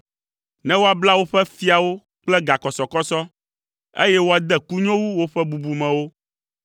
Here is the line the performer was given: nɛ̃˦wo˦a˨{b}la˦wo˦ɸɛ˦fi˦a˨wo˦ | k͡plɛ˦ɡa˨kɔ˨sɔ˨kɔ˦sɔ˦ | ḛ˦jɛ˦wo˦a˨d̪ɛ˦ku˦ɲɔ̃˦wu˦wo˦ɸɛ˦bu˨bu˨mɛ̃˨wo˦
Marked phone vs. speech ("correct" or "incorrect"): correct